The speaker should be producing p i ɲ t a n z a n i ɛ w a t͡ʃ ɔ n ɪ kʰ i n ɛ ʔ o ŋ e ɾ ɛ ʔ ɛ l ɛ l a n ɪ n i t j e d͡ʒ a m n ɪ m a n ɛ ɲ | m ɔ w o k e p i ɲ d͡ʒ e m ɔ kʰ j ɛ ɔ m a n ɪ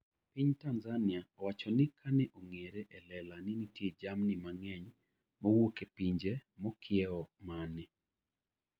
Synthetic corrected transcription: p i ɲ t a n z a n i a w a t͡ʃ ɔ n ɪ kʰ a n ɛ ʔ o ŋ e ɾ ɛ ʔ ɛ l ɛ l a n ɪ n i t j e d͡ʒ a m n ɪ m a ŋ ɛ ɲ | m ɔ w o k e p i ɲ d͡ʒ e m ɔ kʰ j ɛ ɔ m a n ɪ